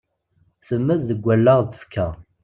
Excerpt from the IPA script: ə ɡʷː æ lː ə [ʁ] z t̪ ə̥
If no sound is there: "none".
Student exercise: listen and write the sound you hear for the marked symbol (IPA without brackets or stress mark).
ʁ